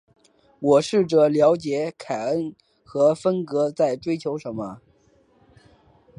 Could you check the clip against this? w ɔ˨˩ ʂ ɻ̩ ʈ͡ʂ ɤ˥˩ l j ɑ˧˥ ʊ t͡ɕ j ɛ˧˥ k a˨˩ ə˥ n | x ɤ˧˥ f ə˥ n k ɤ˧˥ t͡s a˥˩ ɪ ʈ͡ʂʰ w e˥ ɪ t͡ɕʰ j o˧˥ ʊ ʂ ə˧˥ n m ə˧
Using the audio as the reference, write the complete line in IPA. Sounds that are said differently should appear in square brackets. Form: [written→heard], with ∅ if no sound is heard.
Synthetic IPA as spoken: w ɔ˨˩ ʂ ɻ̩ ʈ͡ʂ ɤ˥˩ l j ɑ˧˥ ʊ t͡ɕ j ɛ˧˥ [k→kʰ] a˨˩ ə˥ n | x ɤ˧˥ f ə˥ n k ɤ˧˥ t͡s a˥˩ ɪ [ʈ͡ʂʰ→ʈ͡ʂ] w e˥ ɪ t͡ɕʰ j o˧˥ ʊ ʂ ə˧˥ n m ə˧